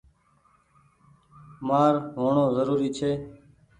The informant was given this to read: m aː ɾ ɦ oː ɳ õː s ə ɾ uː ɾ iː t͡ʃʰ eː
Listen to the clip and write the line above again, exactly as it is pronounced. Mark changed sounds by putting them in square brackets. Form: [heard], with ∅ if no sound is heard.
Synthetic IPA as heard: m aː ɾ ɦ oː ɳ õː [z] ə ɾ uː ɾ iː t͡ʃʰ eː

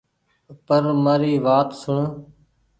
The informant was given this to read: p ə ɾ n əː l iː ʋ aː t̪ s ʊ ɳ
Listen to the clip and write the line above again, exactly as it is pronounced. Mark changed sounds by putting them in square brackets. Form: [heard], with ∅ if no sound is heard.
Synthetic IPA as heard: p ə ɾ [m] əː [ɾ] iː ʋ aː t̪ s ʊ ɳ

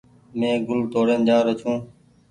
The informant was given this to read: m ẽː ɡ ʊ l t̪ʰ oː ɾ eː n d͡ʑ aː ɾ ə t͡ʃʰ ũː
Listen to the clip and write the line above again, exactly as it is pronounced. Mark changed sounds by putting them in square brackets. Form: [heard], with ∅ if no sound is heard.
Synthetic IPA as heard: m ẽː ɡ ʊ l [t̪] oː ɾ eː n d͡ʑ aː ɾ ə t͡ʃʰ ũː

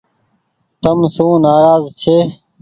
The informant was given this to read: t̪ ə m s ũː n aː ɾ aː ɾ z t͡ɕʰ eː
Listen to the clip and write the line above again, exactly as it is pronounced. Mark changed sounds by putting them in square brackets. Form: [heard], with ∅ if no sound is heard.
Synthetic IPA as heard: t̪ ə m s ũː n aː ɾ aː [∅] z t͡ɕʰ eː

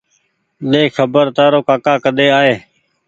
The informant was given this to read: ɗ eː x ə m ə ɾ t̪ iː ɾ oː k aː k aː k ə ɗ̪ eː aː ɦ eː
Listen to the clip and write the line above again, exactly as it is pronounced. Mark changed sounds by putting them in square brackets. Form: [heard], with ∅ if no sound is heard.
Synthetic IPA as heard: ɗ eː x ə [b] ə ɾ t̪ [aː] ɾ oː k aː k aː k ə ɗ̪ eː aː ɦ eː

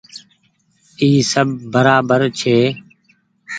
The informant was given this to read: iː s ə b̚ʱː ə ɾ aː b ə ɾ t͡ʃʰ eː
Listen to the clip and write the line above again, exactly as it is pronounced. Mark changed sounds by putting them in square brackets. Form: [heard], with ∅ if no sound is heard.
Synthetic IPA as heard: iː s ə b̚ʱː ə ɾ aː b ə ɾ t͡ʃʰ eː

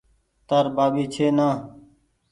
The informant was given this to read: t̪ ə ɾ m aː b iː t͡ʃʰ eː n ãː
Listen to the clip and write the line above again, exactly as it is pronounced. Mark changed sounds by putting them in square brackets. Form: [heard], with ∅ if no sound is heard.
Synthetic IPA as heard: t̪ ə ɾ [b] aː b iː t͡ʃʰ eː n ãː

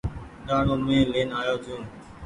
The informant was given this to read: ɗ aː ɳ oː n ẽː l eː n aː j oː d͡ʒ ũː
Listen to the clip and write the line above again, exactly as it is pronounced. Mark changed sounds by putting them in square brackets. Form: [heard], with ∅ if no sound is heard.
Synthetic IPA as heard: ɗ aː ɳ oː [m] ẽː l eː n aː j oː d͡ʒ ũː

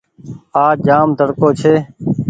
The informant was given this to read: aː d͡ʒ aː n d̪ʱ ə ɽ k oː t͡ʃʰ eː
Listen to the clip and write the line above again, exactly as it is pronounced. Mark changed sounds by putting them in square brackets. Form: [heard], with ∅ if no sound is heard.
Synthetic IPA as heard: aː d͡ʒ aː [m] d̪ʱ ə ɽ k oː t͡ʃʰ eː

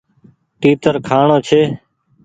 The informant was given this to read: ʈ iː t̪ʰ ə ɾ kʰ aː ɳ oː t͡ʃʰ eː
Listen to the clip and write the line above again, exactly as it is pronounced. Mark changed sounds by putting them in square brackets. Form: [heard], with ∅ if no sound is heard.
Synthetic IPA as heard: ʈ iː [t̪] ə ɾ kʰ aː ɳ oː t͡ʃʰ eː

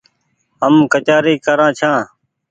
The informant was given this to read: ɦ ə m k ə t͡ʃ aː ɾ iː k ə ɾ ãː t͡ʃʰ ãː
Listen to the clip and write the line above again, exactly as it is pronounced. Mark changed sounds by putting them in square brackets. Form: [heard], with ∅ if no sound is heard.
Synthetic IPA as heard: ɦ ə m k ə t͡ʃ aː ɾ iː k ə ɾ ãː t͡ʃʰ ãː

